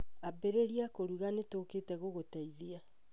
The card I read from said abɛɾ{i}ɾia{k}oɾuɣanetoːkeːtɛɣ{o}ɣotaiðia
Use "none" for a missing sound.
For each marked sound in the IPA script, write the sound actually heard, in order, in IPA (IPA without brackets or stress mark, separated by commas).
e, k, o